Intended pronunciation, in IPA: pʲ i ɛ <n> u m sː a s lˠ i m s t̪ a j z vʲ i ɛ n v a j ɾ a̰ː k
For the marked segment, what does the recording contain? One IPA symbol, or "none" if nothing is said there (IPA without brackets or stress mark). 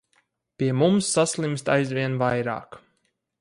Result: m